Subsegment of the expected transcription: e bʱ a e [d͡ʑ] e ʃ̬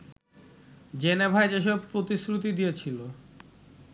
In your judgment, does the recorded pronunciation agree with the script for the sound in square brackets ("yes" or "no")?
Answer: yes